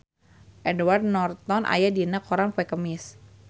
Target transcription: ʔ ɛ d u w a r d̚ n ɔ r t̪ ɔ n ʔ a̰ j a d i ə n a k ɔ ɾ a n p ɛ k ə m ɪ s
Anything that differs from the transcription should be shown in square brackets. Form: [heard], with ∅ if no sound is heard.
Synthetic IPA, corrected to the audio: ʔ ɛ d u w a r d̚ n ɔ r t̪ ɔ n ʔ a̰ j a d i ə n a k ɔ ɾ a [ŋ] p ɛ k ə m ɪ s